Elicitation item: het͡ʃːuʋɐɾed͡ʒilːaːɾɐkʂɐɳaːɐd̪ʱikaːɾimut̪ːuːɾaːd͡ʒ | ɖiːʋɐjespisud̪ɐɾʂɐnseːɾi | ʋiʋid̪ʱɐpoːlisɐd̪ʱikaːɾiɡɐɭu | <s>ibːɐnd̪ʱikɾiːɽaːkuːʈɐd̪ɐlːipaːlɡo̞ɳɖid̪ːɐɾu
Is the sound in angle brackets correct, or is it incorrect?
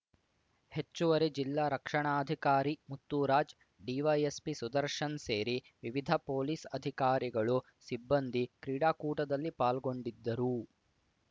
correct